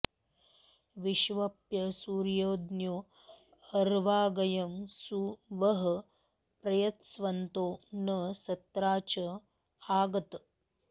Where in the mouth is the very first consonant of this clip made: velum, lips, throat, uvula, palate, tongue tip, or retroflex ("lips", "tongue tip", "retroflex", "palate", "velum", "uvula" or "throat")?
lips